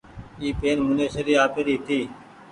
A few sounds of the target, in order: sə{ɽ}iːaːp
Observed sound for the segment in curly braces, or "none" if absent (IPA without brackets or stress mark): ɾ